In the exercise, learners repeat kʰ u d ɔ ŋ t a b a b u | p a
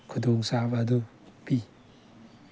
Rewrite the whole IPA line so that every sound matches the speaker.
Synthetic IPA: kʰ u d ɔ ŋ s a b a d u | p i